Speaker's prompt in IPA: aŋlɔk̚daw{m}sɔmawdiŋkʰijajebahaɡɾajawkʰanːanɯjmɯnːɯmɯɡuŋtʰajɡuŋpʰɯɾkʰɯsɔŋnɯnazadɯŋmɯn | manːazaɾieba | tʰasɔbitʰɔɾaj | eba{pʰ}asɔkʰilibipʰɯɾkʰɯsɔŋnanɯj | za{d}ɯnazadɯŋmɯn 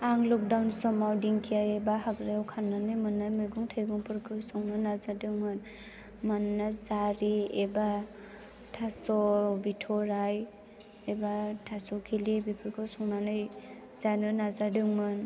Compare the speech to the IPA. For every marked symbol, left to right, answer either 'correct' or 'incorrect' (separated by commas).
incorrect, incorrect, incorrect